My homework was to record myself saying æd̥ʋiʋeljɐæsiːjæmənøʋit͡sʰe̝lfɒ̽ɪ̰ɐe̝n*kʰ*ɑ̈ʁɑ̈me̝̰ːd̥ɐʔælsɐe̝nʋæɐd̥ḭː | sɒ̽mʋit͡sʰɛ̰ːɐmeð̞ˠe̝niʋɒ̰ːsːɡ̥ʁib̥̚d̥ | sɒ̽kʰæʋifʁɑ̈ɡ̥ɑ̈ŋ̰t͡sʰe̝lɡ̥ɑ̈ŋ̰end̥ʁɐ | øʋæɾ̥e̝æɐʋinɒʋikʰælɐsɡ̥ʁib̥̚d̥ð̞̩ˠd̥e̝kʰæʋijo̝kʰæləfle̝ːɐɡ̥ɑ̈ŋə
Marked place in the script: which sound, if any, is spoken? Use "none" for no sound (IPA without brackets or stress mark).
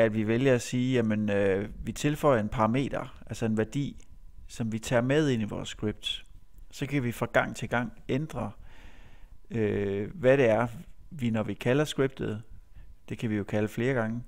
pʰ